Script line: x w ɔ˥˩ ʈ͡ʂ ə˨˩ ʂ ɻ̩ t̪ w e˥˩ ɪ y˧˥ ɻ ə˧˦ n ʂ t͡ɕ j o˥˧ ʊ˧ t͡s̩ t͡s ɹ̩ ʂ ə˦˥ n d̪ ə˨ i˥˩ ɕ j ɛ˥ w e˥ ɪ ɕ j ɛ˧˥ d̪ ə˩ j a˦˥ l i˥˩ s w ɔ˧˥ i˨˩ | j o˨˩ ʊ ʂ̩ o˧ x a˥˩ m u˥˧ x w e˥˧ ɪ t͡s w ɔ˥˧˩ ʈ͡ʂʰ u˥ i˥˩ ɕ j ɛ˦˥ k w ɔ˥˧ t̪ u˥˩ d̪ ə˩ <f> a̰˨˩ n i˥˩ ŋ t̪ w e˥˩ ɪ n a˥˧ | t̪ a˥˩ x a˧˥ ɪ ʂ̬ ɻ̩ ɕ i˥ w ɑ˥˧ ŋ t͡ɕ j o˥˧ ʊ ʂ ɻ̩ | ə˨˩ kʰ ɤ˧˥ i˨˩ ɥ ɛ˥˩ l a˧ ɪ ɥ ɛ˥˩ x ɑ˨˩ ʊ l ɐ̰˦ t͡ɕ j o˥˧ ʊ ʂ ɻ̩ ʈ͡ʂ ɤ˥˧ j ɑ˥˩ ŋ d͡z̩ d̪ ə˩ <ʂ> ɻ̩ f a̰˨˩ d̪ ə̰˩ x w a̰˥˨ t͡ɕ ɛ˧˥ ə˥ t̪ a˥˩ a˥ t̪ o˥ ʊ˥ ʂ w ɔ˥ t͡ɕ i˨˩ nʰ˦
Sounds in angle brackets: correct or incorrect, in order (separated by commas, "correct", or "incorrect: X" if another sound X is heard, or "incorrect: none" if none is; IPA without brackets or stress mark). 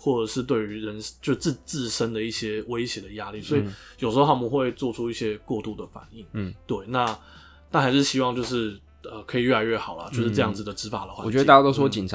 correct, incorrect: ʈ͡ʂ